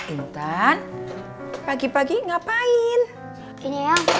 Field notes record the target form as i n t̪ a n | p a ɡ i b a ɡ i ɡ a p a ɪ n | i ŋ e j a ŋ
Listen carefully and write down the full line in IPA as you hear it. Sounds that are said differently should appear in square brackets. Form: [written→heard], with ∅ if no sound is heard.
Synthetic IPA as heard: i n t̪ a n | p a ɡ i [b→p] a ɡ i [ɡ→ŋ] a p a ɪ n | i [ŋ→ɲ] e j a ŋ

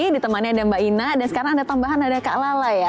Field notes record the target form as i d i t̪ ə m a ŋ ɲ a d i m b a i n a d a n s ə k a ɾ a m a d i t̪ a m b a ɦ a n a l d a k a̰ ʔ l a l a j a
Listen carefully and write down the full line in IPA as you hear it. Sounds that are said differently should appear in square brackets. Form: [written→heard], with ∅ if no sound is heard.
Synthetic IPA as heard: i d i t̪ ə m a [ŋ→n] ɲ a d [i→a] m b a i n a d a n s ə k a ɾ a [m→ŋ] a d [i→a] t̪ a m b a ɦ a n a [l→∅] d a k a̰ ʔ l a l a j a

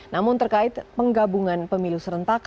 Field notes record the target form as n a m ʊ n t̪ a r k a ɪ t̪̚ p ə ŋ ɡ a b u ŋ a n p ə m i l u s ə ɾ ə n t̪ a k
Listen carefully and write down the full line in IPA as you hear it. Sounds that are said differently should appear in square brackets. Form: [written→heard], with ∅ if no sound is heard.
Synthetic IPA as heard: n a m ʊ n t̪ [a→ə] r k a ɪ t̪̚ p ə ŋ ɡ a b u ŋ a n p ə m i l u s ə ɾ ə n t̪ a k

